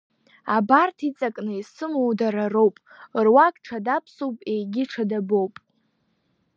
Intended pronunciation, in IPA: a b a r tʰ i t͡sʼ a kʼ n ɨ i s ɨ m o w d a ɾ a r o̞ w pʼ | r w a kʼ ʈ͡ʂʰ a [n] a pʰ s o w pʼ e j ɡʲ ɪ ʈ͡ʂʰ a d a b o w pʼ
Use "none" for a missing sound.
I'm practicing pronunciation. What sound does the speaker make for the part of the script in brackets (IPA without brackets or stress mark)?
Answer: d